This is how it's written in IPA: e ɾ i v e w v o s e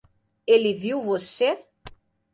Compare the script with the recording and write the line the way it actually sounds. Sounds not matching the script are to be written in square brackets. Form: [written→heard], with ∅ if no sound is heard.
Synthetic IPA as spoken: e [ɾ→l] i v [e→i] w v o s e